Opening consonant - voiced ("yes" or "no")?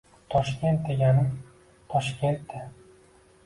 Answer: no